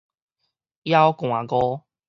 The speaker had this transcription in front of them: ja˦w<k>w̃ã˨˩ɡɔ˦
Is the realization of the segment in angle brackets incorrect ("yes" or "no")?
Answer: no